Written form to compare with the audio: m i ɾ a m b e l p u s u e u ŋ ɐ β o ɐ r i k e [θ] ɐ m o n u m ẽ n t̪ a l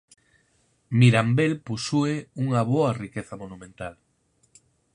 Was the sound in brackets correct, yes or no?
yes